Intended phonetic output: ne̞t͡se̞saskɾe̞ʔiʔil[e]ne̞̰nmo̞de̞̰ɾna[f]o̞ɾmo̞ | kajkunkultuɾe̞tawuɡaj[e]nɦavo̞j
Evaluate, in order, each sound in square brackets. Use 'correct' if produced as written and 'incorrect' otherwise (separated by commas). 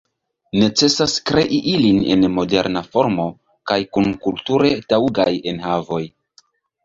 incorrect, correct, correct